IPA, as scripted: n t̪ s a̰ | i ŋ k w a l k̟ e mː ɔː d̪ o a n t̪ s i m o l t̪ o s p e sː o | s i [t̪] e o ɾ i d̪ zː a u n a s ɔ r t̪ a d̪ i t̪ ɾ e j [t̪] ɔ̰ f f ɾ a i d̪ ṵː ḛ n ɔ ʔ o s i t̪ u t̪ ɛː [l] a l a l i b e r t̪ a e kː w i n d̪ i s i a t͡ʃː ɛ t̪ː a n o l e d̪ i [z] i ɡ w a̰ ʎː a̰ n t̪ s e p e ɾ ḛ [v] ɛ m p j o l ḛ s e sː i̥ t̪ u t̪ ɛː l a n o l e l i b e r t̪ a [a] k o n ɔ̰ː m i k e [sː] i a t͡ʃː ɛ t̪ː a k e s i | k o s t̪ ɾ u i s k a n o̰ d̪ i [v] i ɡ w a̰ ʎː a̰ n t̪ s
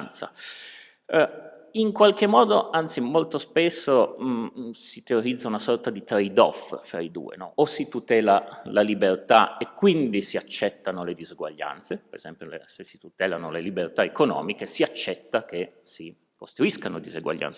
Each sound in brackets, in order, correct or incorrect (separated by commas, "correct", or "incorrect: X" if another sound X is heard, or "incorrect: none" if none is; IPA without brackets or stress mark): correct, incorrect: d̪, correct, correct, incorrect: z, incorrect: e, incorrect: s, incorrect: z